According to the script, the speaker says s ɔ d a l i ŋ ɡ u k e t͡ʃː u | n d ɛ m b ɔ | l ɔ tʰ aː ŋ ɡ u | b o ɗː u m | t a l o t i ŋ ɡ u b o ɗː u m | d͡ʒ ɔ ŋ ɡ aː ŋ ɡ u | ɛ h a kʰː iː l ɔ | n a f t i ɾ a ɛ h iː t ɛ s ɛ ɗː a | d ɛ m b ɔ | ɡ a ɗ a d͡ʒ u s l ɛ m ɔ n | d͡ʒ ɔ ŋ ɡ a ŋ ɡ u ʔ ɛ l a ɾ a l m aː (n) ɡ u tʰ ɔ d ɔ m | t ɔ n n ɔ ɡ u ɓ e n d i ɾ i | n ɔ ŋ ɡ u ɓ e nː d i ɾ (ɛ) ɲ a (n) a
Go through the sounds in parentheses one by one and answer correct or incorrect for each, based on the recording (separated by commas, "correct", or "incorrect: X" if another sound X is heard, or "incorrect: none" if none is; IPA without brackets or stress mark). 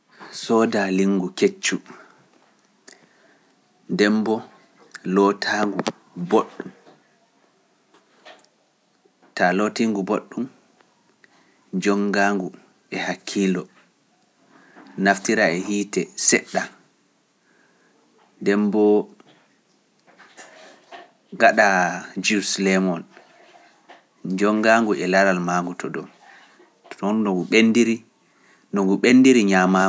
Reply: incorrect: ŋ, incorrect: i, incorrect: m